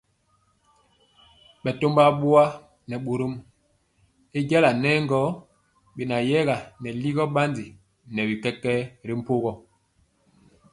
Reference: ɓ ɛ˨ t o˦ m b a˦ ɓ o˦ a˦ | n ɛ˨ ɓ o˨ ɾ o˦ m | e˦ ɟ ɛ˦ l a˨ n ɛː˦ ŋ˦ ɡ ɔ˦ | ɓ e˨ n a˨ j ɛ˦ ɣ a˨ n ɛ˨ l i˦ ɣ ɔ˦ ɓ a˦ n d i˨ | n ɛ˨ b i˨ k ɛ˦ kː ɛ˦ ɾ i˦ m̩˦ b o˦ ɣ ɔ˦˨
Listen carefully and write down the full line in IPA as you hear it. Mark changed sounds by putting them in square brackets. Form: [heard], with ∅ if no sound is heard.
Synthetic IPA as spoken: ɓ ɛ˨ t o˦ m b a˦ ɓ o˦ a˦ | n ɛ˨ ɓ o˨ ɾ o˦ m | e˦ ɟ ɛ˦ l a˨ n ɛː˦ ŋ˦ ɡ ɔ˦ | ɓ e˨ n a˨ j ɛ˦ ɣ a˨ n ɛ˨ l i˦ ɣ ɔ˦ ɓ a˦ n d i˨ | n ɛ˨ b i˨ k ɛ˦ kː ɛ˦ ɾ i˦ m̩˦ [p] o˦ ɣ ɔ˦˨